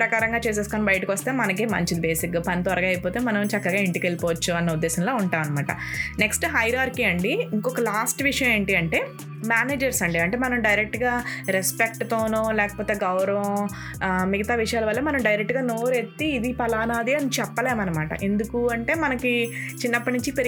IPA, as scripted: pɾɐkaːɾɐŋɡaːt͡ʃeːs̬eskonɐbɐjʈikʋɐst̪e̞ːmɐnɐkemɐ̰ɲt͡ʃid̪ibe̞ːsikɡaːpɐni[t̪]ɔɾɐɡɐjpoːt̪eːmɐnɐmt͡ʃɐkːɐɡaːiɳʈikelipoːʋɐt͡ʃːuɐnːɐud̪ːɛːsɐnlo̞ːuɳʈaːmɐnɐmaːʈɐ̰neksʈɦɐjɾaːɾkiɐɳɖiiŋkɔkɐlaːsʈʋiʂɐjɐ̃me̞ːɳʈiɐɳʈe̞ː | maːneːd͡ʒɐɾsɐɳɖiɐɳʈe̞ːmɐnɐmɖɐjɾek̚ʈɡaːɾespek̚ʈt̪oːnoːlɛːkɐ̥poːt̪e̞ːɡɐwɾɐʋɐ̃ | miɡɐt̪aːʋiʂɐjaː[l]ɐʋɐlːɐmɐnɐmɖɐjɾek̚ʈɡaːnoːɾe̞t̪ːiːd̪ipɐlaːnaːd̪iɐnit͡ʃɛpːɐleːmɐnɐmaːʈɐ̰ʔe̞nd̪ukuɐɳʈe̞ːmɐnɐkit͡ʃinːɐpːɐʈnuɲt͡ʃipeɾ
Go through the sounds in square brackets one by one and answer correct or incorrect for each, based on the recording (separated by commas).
correct, correct